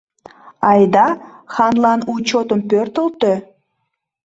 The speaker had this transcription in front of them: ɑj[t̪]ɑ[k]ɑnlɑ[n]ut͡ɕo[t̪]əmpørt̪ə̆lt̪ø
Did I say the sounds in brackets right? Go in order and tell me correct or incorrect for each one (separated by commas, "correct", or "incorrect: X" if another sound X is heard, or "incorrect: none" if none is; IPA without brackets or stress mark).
incorrect: d̪, incorrect: x, correct, correct